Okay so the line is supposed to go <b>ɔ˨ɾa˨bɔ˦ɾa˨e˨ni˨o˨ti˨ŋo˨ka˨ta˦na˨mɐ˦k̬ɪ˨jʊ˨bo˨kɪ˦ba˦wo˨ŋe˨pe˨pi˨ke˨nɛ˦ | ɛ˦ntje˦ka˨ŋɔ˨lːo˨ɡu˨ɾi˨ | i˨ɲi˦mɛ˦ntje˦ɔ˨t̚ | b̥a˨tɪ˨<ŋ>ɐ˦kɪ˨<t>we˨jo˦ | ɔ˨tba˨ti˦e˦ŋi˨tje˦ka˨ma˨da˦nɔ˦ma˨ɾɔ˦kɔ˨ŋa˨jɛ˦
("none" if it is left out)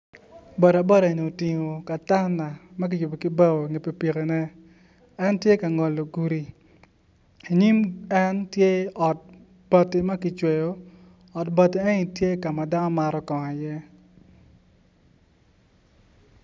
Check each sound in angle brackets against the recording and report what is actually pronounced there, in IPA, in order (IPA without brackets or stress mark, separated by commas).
b, m, t͡ʃ